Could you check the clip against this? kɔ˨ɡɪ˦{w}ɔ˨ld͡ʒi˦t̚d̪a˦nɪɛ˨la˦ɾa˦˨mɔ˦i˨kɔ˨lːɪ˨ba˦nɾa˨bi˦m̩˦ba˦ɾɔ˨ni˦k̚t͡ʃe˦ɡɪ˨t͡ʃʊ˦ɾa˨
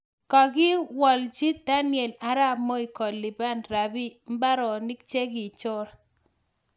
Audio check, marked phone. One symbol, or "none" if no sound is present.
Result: w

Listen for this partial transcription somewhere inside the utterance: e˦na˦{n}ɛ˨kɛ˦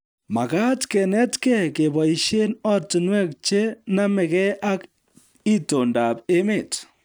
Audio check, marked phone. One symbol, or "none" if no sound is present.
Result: m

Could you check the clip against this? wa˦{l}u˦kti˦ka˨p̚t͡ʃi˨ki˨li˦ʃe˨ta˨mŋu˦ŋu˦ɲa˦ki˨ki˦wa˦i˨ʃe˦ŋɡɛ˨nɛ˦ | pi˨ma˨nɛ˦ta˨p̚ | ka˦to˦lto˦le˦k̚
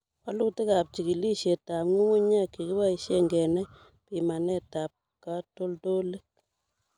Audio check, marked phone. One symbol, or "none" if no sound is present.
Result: l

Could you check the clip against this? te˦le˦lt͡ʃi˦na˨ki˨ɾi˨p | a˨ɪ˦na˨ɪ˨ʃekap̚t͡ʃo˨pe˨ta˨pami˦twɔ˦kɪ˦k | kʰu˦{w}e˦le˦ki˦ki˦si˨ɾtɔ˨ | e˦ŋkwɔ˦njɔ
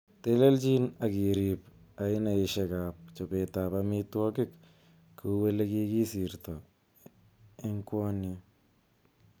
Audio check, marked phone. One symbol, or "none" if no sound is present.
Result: w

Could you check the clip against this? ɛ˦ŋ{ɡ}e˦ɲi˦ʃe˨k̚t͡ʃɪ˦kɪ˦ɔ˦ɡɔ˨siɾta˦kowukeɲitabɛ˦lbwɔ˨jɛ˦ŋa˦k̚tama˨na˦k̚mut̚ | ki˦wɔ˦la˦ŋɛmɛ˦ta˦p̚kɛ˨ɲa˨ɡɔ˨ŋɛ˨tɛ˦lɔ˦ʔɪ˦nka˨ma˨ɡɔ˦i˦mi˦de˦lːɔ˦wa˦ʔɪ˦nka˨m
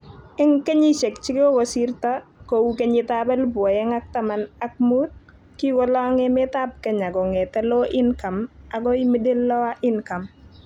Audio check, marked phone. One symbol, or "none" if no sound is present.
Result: k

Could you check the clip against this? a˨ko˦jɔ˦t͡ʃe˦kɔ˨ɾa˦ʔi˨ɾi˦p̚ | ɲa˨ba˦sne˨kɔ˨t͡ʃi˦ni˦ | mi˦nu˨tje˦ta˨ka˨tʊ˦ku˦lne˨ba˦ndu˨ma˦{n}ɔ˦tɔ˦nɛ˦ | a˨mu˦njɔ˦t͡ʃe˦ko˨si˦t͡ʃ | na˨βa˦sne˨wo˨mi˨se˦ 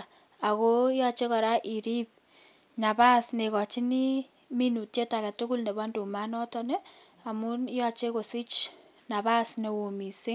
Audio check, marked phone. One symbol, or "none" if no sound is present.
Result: n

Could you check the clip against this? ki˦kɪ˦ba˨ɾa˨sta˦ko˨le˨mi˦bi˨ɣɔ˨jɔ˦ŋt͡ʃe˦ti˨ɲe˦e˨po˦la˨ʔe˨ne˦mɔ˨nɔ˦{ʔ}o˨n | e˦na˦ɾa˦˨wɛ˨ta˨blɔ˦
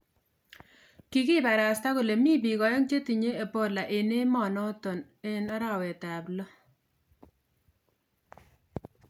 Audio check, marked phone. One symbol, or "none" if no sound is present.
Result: t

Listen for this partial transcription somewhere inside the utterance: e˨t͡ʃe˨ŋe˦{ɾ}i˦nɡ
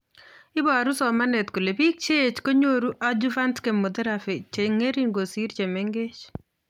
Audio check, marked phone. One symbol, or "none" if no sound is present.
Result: ɾ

